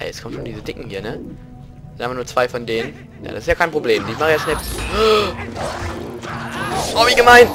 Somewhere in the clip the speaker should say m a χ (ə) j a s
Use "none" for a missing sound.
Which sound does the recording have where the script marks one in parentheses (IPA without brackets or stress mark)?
ə